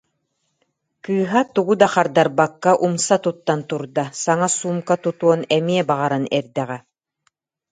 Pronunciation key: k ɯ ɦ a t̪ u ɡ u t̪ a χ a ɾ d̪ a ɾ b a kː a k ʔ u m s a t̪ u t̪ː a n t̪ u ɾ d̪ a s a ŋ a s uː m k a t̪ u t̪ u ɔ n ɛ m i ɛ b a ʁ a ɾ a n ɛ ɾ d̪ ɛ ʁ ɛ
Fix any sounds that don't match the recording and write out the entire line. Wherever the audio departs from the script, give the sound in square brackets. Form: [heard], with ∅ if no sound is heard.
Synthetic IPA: k [ɯː] ɦ a t̪ u ɡ u [d̪] a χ a ɾ d̪ a ɾ b a kː a [∅] ʔ u m s a t̪ u t̪ː a n t̪ u ɾ d̪ a s a ŋ a s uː m k a t̪ u t̪ u ɔ n ɛ m i ɛ b a ʁ a ɾ a n ɛ ɾ d̪ ɛ ʁ ɛ